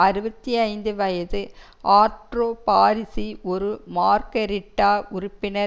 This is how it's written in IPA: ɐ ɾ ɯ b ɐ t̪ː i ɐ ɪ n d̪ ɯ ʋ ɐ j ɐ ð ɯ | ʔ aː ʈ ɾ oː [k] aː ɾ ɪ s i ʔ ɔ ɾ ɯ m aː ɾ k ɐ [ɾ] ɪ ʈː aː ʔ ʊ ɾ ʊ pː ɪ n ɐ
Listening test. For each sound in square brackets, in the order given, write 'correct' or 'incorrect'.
incorrect: p, correct

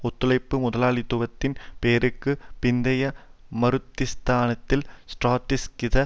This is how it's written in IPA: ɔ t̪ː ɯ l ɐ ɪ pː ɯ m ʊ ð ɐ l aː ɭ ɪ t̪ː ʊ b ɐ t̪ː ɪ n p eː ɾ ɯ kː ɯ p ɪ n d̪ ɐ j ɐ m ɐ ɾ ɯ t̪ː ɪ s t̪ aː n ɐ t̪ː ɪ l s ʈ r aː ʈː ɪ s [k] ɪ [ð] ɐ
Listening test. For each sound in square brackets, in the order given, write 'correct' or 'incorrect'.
correct, correct

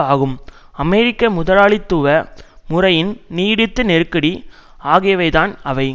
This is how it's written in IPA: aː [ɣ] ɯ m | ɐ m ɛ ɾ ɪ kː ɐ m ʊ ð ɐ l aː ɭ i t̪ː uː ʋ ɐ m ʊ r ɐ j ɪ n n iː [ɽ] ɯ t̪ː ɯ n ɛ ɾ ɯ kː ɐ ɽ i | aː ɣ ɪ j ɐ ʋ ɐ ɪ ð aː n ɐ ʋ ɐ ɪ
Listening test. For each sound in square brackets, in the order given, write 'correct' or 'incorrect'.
correct, correct

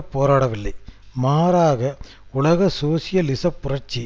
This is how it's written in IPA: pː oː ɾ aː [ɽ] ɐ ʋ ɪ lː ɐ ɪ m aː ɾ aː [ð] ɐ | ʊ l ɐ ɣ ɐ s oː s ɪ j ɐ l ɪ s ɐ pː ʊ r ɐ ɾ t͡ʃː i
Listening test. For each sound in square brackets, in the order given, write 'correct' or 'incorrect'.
correct, incorrect: ɣ

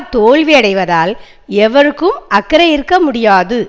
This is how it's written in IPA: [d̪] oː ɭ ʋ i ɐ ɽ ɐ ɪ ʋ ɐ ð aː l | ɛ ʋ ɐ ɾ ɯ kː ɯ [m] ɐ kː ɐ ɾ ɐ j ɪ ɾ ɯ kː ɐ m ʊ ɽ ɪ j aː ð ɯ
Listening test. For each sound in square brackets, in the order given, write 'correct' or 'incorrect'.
incorrect: t̪, correct

